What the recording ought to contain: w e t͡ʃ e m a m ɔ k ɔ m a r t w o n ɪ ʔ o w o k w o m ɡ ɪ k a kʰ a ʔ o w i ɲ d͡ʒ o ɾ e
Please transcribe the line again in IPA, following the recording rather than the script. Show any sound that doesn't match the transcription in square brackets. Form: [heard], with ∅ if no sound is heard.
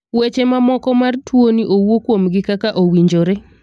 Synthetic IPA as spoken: w e t͡ʃ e m a m ɔ k ɔ m a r t w o n [i] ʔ o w o k w o m ɡ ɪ k a [k] a ʔ o w i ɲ d͡ʒ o ɾ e